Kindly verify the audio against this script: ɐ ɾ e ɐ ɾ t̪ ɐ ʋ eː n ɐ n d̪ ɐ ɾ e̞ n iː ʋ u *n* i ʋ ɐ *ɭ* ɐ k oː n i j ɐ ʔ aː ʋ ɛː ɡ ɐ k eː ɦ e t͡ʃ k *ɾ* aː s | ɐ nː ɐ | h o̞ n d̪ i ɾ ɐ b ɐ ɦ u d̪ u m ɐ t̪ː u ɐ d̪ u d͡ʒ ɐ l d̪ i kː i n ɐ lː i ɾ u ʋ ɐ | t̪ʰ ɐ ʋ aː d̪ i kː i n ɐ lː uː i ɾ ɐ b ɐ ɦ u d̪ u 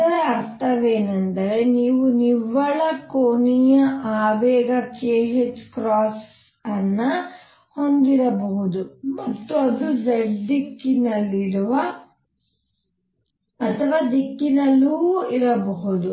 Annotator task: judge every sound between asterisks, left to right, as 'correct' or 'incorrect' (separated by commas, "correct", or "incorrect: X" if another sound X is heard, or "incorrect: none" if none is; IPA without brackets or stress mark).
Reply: correct, correct, correct